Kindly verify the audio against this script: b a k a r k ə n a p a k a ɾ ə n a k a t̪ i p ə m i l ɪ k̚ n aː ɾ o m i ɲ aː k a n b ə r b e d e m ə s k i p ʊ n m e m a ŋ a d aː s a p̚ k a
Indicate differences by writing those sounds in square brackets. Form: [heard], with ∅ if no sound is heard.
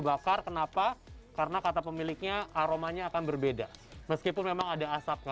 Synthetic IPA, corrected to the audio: b a k a r k ə n a p a k a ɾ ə n a k a t̪ [a] p ə m i l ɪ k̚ [ɲ] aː ɾ o m [a] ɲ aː k a n b ə r b e d [a] m ə s k i p ʊ n m e m a ŋ a d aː s a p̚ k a